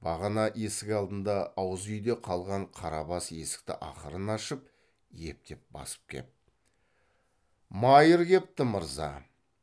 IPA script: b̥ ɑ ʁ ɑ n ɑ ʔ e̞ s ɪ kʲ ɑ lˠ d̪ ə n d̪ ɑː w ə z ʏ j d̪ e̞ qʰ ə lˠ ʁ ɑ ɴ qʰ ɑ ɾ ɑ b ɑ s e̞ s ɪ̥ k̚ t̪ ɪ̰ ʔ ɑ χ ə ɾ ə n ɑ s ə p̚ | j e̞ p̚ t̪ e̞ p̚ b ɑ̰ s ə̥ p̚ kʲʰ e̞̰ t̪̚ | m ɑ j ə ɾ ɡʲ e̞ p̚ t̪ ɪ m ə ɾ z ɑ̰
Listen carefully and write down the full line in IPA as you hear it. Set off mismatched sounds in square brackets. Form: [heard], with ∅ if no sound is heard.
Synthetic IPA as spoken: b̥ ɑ ʁ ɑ n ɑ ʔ e̞ s ɪ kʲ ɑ lˠ d̪ ə n d̪ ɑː w ə z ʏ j d̪ e̞ qʰ [ɑ] lˠ ʁ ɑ ɴ qʰ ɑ ɾ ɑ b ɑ s e̞ s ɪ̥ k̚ t̪ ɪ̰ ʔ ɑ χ ə ɾ ə n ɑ [ʃ] ə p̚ | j e̞ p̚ t̪ e̞ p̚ b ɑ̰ s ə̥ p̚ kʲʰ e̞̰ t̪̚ | m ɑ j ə ɾ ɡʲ e̞ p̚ t̪ ɪ m ə ɾ z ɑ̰